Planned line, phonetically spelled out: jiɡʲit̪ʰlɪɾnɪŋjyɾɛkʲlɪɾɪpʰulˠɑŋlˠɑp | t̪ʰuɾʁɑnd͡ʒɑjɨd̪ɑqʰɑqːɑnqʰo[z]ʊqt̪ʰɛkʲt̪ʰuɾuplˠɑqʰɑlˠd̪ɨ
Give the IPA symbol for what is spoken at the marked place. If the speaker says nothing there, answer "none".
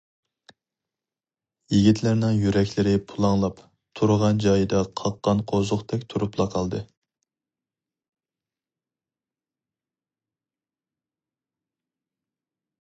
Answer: z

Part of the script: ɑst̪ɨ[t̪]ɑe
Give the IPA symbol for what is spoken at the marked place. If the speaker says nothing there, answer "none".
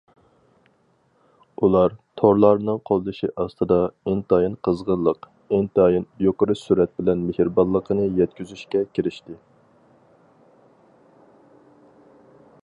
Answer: d̪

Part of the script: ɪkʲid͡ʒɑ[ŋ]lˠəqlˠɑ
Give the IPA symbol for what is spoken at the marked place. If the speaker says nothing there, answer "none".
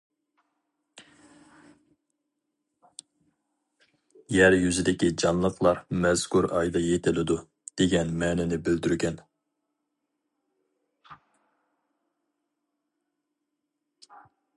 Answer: n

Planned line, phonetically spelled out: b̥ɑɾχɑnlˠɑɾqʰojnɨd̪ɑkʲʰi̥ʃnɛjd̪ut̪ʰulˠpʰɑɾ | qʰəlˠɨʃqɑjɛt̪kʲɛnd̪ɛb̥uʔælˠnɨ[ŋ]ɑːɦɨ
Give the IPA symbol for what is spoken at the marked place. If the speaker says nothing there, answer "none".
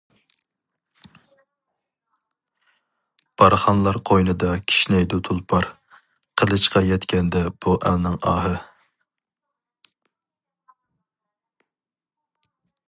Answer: ŋ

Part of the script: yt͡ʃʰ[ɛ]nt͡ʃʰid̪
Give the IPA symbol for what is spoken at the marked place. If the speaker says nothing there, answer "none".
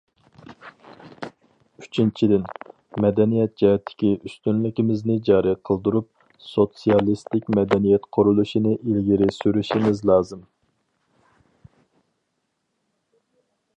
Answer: i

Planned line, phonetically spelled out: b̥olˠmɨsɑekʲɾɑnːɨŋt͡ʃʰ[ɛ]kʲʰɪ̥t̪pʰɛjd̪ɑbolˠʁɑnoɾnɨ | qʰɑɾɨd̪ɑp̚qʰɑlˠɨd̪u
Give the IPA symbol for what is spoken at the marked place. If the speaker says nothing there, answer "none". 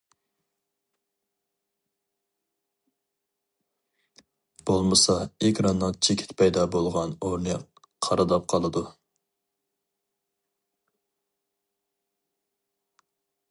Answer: e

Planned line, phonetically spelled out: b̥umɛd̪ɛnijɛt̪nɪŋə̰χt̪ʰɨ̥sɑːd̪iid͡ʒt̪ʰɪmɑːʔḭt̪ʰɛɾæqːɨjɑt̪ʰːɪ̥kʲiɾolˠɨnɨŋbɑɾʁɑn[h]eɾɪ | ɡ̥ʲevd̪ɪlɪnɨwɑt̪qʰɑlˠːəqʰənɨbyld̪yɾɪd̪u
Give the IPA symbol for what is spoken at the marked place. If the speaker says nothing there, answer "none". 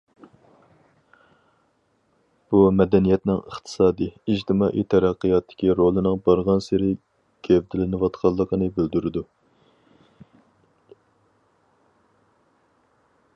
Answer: s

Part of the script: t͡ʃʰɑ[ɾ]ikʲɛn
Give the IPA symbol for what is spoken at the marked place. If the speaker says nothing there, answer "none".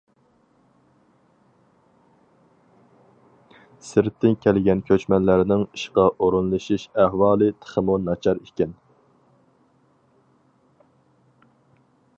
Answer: ɾ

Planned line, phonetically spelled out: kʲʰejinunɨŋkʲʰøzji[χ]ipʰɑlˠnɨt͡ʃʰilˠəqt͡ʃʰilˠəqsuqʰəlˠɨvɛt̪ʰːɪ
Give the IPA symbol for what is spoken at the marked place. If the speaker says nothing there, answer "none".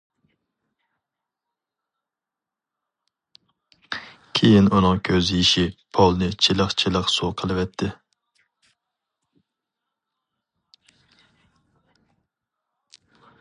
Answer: ʃ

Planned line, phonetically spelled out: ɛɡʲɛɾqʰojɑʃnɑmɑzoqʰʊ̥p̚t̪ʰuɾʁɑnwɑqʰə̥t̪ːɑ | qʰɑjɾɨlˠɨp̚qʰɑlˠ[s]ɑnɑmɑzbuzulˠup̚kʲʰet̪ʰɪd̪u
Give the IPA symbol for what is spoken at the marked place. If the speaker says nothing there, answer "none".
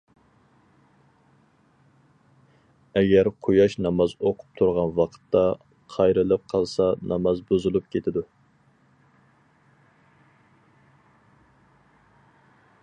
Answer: s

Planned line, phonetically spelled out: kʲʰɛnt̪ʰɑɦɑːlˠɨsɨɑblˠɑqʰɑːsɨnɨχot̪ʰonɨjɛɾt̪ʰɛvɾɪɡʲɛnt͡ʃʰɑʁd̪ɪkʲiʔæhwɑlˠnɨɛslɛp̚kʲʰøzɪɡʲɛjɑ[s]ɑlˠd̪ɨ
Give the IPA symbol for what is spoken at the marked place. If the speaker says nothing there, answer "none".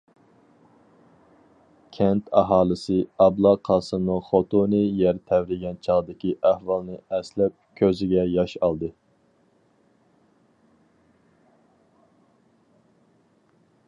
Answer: ʃ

